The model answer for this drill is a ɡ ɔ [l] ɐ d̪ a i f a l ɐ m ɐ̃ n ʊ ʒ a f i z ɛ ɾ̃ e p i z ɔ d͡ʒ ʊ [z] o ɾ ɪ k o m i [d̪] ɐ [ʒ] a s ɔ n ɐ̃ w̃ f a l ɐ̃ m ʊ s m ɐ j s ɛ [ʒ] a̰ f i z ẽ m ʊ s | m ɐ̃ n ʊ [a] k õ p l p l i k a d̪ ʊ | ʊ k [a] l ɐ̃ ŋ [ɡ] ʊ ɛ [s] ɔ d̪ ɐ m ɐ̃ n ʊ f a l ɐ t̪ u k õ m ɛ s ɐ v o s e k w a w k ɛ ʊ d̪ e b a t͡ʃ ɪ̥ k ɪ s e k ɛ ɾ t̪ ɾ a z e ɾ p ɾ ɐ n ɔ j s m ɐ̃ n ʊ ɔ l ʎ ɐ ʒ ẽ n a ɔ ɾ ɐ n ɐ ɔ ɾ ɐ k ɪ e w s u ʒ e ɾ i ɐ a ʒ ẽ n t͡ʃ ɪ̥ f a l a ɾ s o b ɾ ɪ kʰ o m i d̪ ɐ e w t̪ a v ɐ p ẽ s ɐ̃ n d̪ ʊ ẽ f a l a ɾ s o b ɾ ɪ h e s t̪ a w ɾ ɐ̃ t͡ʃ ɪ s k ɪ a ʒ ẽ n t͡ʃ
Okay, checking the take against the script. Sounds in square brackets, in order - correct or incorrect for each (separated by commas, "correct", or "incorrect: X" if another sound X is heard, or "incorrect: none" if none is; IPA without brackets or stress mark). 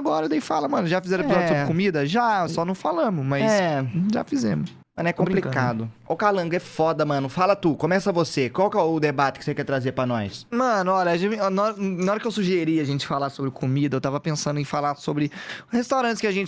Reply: incorrect: ɾ, incorrect: s, correct, correct, correct, incorrect: ɛ, correct, correct, incorrect: f